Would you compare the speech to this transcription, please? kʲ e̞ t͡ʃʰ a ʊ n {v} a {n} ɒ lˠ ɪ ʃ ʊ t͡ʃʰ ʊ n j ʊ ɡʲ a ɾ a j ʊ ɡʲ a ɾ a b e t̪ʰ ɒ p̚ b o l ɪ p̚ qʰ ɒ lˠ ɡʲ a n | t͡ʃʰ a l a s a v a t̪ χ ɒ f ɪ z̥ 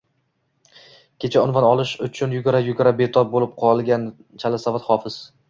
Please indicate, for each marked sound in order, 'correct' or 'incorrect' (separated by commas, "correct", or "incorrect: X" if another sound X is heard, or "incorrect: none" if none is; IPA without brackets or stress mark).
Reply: correct, correct